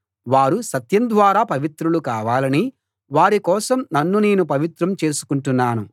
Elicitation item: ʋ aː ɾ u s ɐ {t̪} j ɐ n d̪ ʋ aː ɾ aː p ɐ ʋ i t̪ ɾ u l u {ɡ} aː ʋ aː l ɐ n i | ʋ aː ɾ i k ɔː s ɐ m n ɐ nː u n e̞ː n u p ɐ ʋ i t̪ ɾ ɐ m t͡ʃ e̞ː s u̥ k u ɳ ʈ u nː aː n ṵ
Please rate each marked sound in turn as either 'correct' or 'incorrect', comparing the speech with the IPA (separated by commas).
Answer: correct, incorrect